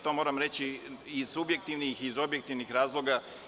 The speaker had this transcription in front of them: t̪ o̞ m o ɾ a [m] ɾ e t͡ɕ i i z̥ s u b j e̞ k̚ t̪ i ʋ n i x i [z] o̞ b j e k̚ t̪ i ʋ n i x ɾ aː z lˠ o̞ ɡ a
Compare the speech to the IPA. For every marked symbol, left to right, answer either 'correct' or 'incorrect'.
correct, correct

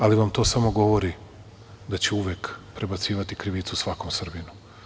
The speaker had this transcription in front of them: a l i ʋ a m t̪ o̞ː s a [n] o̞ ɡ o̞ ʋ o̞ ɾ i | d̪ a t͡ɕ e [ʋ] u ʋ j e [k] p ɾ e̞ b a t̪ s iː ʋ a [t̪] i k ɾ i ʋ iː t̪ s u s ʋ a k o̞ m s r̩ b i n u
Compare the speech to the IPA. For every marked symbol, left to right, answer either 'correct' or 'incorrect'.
incorrect: m, incorrect: none, correct, correct

